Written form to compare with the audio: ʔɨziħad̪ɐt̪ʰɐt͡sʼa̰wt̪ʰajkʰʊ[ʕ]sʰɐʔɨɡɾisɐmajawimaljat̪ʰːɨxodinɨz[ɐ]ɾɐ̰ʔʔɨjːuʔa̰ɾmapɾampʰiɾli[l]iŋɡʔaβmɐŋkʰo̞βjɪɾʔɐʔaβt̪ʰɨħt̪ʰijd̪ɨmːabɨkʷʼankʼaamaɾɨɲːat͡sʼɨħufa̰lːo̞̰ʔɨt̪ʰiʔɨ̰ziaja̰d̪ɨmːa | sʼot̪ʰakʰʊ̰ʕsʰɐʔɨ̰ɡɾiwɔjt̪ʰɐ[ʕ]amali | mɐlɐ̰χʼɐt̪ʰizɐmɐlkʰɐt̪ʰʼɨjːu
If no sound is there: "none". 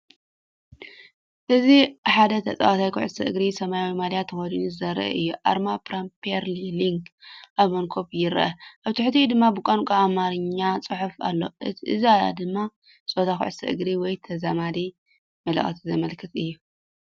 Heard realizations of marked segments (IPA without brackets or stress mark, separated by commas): ʕ, ɐ, l, z